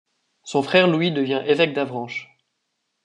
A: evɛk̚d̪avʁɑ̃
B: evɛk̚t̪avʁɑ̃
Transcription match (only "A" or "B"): A